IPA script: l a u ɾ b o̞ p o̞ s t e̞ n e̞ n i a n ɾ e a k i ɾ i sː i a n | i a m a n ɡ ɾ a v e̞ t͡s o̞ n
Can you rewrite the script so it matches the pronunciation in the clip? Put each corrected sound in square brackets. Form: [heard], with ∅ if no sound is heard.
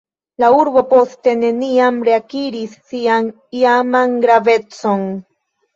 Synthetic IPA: l a u ɾ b o̞ p o̞ s t e̞ n e̞ n i a [m] ɾ e a k i ɾ i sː i a n | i a m a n ɡ ɾ a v e̞ t͡s o̞ n